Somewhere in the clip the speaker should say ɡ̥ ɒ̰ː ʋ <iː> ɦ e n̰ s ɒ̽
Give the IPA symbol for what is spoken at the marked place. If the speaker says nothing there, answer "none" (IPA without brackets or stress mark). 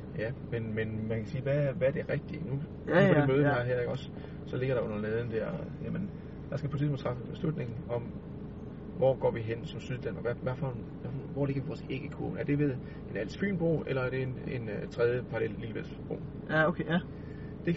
i